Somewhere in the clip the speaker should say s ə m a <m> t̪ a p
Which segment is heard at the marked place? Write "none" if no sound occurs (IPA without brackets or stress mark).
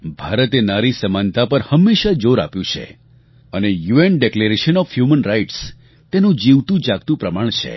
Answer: n